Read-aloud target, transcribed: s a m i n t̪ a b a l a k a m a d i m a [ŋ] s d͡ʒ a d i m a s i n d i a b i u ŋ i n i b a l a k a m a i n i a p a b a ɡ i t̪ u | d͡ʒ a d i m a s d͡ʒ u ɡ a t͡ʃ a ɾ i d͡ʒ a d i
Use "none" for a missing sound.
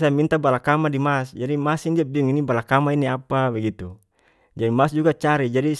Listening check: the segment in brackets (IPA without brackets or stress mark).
none